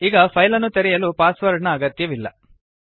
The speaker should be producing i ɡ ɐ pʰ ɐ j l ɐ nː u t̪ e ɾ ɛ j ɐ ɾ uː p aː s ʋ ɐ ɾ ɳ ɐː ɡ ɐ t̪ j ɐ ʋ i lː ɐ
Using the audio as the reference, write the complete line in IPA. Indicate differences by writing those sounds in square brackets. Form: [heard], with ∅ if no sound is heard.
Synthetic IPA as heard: i ɡ ɐ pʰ ɐ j l ɐ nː u t̪ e ɾ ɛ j ɐ [l] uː p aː s ʋ ɐ ɾ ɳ ɐː ɡ ɐ t̪ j ɐ ʋ i lː ɐ